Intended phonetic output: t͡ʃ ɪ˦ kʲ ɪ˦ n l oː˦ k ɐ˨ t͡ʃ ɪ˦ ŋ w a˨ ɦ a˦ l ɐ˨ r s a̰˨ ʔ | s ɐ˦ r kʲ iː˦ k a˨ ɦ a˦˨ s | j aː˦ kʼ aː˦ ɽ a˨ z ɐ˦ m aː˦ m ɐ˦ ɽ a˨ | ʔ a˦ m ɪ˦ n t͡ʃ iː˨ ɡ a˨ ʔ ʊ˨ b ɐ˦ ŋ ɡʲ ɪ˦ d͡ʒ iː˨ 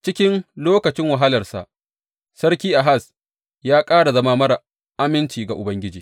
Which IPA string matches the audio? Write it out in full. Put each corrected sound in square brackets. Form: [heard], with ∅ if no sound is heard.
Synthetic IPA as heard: t͡ʃ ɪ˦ kʲ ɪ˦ n l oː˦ k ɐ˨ t͡ʃ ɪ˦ ŋ w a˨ ɦ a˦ l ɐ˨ r s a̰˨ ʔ | s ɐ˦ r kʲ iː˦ [ʔ] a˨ ɦ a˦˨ s | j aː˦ kʼ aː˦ ɽ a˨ z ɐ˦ m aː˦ m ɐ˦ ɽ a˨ | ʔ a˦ m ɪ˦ n t͡ʃ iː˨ ɡ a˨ ʔ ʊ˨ b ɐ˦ ŋ ɡʲ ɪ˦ d͡ʒ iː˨